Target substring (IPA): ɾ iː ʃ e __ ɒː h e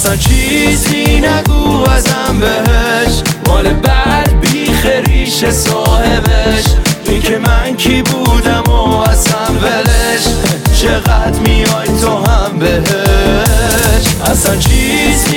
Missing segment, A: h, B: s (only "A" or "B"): B